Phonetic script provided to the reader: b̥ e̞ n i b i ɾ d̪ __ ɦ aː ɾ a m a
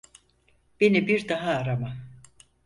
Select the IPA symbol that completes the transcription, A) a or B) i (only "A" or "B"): A